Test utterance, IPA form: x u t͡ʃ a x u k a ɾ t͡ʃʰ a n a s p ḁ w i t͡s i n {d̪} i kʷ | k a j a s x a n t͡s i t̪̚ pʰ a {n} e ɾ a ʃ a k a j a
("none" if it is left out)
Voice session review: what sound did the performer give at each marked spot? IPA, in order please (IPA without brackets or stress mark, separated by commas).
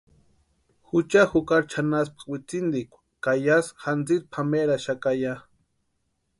d̪, m